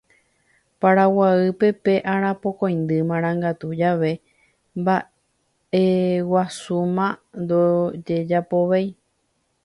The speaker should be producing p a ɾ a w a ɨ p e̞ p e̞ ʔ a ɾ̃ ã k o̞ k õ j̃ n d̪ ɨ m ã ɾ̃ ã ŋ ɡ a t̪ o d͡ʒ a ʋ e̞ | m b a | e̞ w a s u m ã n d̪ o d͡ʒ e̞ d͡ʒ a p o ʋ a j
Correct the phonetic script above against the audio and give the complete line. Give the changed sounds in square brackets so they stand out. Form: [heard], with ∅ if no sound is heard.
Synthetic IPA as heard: p a ɾ a w a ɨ p e̞ p e̞ ʔ a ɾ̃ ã [p] o̞ k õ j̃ n d̪ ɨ m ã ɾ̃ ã ŋ ɡ a t̪ [u] d͡ʒ a ʋ e̞ | m b a | e̞ w a s u m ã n d̪ o d͡ʒ e̞ d͡ʒ a p o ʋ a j

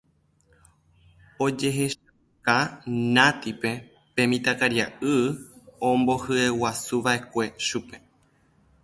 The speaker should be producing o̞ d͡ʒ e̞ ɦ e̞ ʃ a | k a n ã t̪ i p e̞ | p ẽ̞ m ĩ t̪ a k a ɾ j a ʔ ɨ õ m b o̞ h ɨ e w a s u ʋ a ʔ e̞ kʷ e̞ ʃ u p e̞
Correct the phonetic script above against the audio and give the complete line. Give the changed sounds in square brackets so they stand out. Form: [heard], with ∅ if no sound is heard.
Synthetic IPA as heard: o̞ d͡ʒ e̞ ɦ e̞ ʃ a | k a n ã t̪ i p e̞ | p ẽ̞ m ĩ t̪ a k a ɾ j a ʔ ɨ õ m b o̞ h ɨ e w a s u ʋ a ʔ e̞ kʷ e̞ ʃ u p e̞

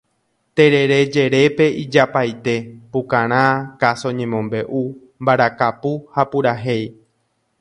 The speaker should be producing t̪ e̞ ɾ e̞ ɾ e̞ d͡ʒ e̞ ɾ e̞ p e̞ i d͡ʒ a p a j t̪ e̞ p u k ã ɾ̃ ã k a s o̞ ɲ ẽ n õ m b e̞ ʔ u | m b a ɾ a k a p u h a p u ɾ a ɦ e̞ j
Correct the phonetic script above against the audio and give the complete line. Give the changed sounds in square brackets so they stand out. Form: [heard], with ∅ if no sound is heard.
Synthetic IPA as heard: t̪ e̞ ɾ e̞ ɾ e̞ d͡ʒ e̞ ɾ e̞ p e̞ i d͡ʒ a p a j t̪ e̞ p u k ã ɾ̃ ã k a s o̞ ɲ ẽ [m] õ m b e̞ ʔ u | m b a ɾ a k a p u h a p u ɾ a ɦ e̞ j

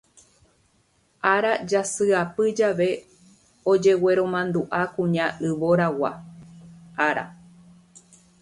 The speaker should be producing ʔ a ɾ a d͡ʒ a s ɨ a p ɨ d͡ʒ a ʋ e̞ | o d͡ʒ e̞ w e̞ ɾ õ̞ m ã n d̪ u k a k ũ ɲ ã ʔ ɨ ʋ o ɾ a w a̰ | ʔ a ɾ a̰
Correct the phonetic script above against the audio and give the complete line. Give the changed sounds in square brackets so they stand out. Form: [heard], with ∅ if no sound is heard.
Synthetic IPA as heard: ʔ a ɾ a d͡ʒ a s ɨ a p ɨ d͡ʒ a ʋ e̞ | o d͡ʒ e̞ w e̞ ɾ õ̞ m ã n d̪ u [ʔ] a k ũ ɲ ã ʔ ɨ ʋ o ɾ a w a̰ | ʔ a ɾ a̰

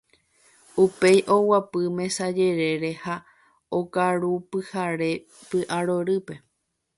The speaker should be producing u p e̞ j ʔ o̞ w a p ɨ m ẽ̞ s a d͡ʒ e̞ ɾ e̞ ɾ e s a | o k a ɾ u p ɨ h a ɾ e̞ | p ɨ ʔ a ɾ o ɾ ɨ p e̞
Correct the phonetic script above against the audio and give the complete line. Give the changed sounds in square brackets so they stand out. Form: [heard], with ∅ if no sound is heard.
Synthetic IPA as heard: u p e̞ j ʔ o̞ w a p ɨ m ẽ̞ s a d͡ʒ e̞ ɾ e̞ ɾ e [h] a | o k a ɾ u p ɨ h a ɾ e̞ | p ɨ ʔ a ɾ o ɾ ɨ p e̞

